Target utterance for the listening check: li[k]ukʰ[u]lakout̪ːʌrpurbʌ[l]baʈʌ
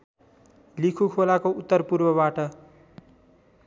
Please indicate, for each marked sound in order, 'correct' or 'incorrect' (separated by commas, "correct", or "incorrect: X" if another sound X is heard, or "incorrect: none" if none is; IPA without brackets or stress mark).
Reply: incorrect: kʰ, incorrect: o, incorrect: none